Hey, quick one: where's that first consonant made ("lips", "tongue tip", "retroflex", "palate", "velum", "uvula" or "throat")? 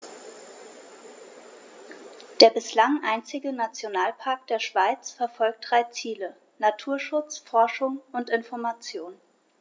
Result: tongue tip